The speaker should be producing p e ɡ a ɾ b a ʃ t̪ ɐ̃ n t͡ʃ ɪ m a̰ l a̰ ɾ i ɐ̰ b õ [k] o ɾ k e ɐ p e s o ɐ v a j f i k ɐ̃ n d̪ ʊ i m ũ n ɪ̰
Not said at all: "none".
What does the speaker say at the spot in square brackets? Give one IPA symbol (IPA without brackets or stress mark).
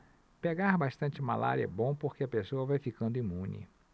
p